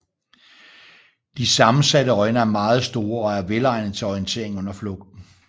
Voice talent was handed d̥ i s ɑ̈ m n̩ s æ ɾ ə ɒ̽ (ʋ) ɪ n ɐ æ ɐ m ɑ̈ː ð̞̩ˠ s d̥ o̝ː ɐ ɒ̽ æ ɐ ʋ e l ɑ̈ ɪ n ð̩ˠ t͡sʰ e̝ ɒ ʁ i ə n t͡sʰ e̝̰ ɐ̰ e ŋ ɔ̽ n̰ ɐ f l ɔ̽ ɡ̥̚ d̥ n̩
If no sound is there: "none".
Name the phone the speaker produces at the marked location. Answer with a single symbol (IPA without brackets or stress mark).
none